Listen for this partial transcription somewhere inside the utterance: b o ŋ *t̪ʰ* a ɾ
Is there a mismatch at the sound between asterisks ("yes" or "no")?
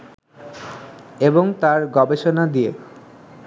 yes